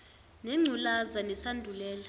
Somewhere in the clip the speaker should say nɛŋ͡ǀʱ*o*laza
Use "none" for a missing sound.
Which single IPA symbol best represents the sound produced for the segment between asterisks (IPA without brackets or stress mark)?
u